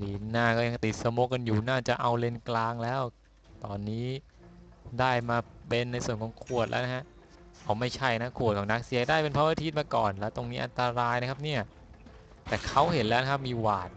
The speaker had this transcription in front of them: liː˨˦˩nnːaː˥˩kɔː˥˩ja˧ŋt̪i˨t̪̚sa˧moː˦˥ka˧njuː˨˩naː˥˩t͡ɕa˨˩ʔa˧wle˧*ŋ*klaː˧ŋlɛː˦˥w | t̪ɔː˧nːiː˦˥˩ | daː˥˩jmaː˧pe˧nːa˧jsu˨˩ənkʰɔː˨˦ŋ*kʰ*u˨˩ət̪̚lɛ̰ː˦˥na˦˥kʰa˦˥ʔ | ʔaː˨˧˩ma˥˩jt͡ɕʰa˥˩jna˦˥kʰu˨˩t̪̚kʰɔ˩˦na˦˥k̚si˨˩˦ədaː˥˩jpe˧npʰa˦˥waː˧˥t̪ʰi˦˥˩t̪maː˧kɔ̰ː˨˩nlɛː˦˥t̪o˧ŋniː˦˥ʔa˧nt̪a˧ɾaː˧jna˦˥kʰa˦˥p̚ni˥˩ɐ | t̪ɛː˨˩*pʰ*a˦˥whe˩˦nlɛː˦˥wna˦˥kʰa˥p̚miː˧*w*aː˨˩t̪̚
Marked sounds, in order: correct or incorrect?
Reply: incorrect, correct, incorrect, correct

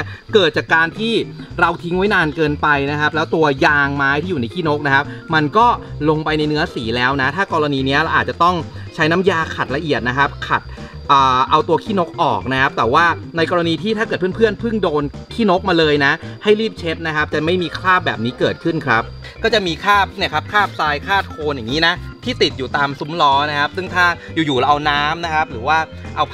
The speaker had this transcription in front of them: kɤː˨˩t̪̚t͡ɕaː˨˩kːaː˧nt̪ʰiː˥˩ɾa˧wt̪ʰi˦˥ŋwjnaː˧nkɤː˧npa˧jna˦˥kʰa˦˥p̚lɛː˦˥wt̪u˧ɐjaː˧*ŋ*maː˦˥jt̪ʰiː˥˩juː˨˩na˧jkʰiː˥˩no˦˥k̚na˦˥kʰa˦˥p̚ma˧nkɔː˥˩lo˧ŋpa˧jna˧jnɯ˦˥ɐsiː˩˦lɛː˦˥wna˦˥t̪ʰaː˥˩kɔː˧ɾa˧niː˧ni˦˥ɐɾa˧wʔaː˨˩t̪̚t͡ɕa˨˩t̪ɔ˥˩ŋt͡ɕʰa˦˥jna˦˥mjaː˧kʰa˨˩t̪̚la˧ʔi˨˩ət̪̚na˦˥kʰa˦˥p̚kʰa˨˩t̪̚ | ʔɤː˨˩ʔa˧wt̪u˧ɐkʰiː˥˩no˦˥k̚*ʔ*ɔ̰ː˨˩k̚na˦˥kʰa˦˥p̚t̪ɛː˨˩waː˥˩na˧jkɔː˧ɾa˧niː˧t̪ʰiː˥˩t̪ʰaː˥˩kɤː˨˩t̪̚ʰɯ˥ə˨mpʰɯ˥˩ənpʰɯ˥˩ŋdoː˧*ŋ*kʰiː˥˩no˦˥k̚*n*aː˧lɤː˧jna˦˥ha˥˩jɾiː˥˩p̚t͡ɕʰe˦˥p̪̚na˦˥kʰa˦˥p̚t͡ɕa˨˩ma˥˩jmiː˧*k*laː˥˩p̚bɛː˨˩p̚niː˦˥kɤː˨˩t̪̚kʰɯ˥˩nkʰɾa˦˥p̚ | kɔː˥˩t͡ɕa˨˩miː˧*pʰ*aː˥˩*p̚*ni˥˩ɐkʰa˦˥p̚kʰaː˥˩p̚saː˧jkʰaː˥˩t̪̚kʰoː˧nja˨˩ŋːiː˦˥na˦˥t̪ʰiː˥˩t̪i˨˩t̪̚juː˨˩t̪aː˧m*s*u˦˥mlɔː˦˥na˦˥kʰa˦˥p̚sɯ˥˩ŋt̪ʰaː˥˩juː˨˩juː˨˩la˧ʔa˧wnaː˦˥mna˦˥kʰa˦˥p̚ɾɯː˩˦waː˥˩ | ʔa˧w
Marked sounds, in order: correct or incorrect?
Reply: correct, correct, incorrect, incorrect, incorrect, incorrect, correct, correct

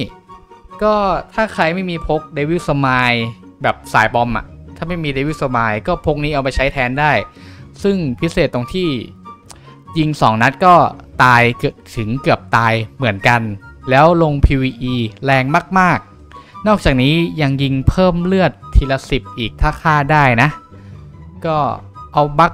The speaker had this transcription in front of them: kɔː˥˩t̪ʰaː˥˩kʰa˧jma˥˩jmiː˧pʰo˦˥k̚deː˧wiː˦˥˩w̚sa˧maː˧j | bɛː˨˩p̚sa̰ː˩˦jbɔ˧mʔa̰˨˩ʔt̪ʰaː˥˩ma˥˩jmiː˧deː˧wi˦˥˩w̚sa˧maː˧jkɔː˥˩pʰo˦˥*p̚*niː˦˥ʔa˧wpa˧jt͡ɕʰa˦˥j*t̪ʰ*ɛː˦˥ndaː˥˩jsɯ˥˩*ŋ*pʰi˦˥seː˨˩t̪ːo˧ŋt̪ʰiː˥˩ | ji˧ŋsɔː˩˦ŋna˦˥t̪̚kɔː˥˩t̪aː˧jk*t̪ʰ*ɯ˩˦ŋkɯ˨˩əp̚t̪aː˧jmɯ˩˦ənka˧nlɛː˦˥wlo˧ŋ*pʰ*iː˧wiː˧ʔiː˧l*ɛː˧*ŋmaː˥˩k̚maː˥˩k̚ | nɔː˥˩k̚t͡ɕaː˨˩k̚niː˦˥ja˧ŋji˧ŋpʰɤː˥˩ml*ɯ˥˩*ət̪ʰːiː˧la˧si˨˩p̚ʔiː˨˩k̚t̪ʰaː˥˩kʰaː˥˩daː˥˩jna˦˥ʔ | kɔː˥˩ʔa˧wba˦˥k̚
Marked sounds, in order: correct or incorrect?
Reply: incorrect, correct, correct, correct, correct, correct, correct

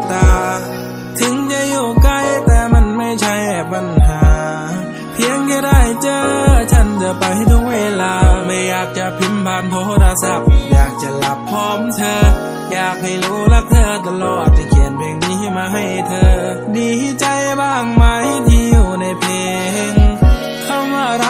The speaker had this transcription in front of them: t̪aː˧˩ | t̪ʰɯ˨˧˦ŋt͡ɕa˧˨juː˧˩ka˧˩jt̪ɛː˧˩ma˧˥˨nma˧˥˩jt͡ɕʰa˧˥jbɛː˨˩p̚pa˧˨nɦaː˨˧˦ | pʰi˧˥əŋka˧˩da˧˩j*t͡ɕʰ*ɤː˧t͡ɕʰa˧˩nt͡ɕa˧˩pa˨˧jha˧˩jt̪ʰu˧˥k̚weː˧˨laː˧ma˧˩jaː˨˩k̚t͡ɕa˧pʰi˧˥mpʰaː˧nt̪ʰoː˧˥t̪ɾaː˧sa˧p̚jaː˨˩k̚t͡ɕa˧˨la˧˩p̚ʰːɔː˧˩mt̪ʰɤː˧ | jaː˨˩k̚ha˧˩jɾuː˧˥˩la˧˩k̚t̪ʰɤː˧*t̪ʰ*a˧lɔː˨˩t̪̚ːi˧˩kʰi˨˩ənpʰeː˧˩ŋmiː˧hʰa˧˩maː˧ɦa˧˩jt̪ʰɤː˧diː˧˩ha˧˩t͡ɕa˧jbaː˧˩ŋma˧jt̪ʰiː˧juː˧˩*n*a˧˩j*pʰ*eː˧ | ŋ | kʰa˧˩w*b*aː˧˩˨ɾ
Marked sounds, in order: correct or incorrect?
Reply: incorrect, incorrect, correct, correct, incorrect

